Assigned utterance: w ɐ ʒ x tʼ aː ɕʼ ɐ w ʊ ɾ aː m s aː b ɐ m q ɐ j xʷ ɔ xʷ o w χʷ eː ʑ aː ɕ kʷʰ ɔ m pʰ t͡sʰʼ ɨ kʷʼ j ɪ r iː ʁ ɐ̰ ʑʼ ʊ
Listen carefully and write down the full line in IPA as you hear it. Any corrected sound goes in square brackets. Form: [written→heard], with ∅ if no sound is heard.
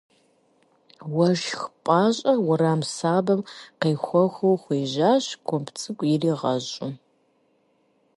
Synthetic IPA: w ɐ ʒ x [tʼ→pʼ] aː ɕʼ ɐ w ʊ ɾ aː m s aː b ɐ m q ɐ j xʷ ɔ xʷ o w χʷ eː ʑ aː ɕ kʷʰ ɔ m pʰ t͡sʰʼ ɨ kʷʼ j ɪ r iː ʁ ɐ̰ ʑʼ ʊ

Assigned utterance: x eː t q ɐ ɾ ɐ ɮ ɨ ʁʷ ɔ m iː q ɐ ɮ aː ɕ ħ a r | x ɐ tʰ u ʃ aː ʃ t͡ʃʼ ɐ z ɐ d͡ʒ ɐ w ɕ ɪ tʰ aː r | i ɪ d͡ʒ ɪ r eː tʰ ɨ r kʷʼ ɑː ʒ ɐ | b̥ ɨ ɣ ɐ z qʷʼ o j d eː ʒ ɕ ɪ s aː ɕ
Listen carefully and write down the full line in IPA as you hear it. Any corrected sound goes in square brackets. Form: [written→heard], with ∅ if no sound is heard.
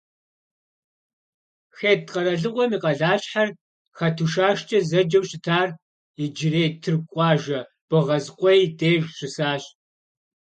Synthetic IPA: x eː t q ɐ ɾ ɐ ɮ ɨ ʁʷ ɔ m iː q ɐ ɮ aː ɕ ħ a r | x ɐ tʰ u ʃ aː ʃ t͡ʃʼ ɐ z ɐ d͡ʒ ɐ w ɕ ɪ tʰ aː r | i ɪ d͡ʒ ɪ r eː tʰ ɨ r kʷʼ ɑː ʒ ɐ | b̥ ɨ [ɣ→ʁ] ɐ z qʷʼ [o→ɔ] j d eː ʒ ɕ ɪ s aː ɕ

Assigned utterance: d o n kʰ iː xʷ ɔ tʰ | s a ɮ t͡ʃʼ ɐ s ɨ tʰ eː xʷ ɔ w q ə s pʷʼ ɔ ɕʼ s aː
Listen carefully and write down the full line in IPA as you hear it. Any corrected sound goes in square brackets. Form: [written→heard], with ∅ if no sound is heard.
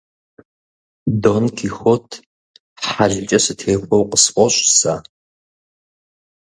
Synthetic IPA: d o n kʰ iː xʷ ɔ tʰ | [s→ħ] a ɮ t͡ʃʼ ɐ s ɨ tʰ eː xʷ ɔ w q ə s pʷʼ ɔ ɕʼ s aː

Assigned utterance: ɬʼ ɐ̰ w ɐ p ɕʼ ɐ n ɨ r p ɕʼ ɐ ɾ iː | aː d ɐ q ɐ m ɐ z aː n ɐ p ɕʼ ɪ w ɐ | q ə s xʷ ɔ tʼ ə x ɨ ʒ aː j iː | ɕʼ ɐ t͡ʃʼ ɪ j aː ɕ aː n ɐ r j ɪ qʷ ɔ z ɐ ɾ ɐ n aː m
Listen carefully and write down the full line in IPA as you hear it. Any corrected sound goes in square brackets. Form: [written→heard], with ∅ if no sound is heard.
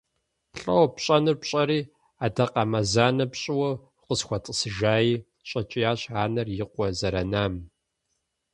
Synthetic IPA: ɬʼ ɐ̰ w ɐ p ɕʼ ɐ n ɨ r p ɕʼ ɐ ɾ iː | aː d ɐ q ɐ m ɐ z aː n ɐ p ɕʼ ɪ w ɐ | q ə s xʷ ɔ tʼ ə [x→s] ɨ ʒ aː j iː | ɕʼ ɐ t͡ʃʼ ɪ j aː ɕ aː n ɐ r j ɪ qʷ ɔ z ɐ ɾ ɐ n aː m

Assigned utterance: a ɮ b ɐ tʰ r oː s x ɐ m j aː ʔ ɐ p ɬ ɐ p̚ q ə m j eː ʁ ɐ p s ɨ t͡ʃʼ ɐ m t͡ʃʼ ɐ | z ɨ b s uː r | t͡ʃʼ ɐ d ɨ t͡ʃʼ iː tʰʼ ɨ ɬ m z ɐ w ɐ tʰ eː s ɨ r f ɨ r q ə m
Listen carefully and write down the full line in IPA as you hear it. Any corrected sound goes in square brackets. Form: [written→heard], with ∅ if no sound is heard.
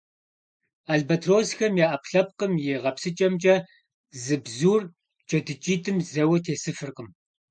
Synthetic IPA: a ɮ b ɐ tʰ r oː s x ɐ m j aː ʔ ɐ p ɬ ɐ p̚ q ə m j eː ʁ ɐ p s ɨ t͡ʃʼ ɐ m t͡ʃʼ ɐ | z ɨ b [s→z] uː r | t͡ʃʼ ɐ d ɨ t͡ʃʼ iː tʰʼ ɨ [ɬ→∅] m z ɐ w ɐ tʰ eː s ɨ [r→∅] f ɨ r q ə m

